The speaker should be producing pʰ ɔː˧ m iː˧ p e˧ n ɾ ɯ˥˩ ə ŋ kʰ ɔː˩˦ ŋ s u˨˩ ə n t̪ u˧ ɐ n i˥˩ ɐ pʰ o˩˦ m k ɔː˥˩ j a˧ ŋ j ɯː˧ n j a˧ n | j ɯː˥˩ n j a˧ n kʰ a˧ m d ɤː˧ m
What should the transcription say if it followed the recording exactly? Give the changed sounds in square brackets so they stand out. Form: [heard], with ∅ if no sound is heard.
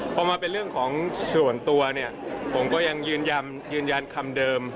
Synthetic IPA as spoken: pʰ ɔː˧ m [aː˧] p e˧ n ɾ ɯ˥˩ ə ŋ kʰ ɔː˩˦ ŋ s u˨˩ ə n t̪ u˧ ɐ n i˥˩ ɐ pʰ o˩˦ m k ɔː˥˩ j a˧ ŋ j ɯː˧ n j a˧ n | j [ɯː˧] n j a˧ n kʰ a˧ m d ɤː˧ m